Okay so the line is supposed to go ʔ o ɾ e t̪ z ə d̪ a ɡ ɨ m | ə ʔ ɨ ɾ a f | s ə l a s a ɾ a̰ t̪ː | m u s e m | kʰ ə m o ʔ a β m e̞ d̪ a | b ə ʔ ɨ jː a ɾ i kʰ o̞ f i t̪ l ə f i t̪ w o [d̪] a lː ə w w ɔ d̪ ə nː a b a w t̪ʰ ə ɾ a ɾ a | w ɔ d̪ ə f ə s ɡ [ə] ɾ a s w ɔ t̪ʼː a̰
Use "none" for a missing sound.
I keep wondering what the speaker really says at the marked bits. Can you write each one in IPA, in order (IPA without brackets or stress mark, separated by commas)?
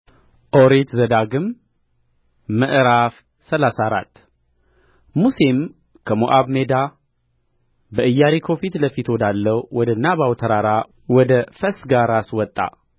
d̪, a